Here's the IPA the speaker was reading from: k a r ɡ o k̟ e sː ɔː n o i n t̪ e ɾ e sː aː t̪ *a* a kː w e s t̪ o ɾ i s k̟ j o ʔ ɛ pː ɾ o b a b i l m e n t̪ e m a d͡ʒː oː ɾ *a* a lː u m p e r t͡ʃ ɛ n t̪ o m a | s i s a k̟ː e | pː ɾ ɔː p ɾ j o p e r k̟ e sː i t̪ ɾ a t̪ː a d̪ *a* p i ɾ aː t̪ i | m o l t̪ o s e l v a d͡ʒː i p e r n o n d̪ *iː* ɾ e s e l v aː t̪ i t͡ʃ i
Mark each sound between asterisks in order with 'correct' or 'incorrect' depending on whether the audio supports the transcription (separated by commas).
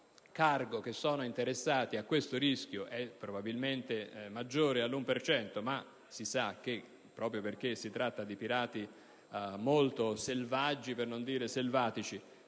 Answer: incorrect, incorrect, incorrect, correct